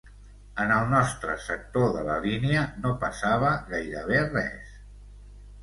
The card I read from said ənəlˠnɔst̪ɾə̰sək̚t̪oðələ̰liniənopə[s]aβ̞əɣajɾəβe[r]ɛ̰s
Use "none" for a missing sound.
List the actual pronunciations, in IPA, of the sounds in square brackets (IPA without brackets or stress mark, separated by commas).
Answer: s, r